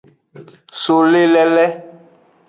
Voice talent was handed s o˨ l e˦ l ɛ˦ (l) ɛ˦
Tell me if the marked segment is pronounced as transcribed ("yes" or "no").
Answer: yes